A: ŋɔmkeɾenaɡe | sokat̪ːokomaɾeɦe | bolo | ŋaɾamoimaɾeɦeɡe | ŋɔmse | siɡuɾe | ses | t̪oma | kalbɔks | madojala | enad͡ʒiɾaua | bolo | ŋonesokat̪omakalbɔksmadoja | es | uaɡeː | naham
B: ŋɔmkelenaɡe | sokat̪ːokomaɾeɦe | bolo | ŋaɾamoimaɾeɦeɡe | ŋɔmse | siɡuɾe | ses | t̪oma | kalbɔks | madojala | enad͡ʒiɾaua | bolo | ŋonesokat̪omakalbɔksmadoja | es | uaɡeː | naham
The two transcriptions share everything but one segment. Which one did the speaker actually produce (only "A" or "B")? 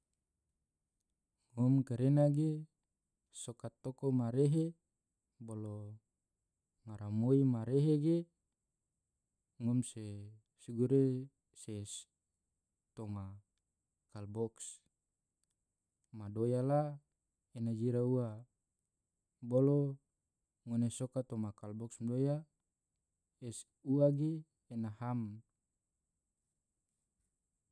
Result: A